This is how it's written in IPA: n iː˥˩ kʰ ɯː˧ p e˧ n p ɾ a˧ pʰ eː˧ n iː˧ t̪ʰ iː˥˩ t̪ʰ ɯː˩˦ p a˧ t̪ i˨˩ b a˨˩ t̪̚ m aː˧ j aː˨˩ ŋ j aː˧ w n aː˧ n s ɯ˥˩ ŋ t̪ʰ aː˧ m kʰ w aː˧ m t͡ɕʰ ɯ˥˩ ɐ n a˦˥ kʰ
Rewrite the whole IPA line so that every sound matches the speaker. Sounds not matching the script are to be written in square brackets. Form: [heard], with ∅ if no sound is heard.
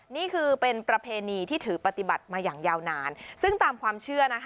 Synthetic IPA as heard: n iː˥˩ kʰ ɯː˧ p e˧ n p ɾ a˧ pʰ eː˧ n iː˧ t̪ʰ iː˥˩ t̪ʰ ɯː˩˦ p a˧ t̪ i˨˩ b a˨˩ t̪̚ m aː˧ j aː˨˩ ŋ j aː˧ w n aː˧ n s ɯ˥˩ ŋ [t̪] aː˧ m kʰ w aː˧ m t͡ɕʰ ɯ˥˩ ɐ n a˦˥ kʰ